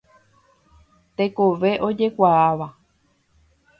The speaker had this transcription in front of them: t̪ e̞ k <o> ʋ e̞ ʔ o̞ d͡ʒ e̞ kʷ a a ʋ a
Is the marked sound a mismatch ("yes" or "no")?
no